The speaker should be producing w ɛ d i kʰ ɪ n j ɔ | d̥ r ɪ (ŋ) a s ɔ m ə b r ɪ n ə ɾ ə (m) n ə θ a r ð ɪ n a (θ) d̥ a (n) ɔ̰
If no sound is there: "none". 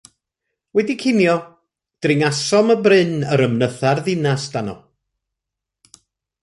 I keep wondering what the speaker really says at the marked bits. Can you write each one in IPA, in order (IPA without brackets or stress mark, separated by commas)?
ŋ, m, s, n